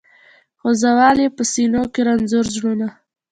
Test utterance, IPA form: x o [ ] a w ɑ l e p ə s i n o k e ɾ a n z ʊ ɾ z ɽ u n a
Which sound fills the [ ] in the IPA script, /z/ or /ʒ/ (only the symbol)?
z